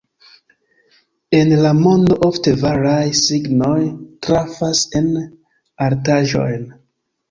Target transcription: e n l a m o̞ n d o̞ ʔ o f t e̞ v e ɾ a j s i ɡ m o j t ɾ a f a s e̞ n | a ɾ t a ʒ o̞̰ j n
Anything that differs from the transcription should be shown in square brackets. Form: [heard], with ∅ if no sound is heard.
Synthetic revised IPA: e n l a m o̞ n d o̞ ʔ o f t e̞ v [a] ɾ a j s i ɡ [n] o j t ɾ a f a s e̞ n | a ɾ t a ʒ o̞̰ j n